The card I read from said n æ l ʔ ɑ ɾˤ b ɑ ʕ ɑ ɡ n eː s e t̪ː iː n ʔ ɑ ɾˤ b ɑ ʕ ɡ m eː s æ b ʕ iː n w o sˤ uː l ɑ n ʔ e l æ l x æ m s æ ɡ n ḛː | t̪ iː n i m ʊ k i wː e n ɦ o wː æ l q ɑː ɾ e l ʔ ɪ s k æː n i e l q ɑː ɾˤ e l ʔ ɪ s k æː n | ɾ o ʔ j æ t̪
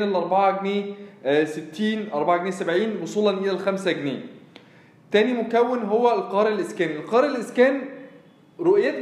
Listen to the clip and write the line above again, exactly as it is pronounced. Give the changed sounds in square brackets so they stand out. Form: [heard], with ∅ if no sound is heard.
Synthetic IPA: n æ l ʔ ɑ ɾˤ b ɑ ʕ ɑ ɡ n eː s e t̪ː iː n ʔ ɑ ɾˤ b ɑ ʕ ɡ [n] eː s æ b ʕ iː n w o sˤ uː l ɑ n ʔ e l æ l x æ m s æ ɡ n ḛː | t̪ [æː] n i m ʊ k [æ] wː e n ɦ o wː æ l q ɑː ɾ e l ʔ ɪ s k æː n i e l q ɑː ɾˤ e l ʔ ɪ s k æː n | ɾ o ʔ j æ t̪